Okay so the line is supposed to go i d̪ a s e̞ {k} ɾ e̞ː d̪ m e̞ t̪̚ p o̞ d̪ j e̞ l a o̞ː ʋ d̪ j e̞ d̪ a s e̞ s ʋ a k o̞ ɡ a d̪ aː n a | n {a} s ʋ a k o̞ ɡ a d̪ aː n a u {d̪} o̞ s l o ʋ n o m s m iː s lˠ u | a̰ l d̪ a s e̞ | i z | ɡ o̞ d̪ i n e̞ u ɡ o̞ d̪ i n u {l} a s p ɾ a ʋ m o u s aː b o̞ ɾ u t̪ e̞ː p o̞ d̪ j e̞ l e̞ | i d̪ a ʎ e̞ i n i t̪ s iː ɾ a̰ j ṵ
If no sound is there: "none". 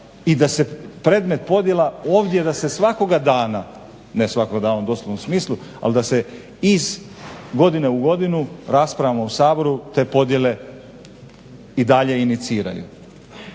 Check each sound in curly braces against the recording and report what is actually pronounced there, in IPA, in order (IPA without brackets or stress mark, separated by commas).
p, e, d̪, ɾ